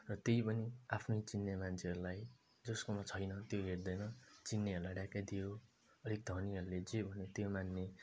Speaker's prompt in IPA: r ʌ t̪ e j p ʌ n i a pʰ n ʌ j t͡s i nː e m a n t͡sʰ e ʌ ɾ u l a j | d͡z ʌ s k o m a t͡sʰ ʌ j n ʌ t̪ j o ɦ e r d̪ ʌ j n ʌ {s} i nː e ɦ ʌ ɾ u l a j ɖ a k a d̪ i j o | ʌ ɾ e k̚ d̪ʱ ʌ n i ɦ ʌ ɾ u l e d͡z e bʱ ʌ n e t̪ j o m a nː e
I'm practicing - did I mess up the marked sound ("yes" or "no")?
yes